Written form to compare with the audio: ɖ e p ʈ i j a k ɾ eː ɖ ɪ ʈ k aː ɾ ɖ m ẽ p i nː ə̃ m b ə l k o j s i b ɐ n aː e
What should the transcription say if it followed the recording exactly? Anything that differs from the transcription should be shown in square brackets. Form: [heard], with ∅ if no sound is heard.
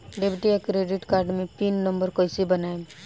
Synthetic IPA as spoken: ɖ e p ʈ i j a k ɾ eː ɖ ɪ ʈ k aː ɾ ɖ m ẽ p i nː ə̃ m b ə [ɾ] k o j s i b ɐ n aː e